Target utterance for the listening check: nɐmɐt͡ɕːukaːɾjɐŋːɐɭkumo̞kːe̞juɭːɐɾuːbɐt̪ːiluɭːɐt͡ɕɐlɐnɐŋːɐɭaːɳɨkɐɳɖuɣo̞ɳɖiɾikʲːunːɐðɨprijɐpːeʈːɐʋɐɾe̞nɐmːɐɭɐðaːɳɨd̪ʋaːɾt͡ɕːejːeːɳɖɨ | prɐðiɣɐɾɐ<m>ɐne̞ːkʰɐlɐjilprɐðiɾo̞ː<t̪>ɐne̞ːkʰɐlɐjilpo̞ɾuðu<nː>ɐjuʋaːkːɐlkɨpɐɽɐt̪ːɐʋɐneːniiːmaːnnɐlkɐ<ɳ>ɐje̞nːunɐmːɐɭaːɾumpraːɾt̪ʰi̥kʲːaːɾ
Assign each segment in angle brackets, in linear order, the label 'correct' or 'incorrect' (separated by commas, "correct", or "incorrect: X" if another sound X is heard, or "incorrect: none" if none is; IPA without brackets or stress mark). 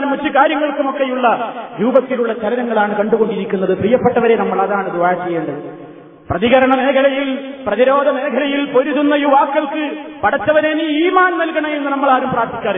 incorrect: ɳ, incorrect: d̪, correct, correct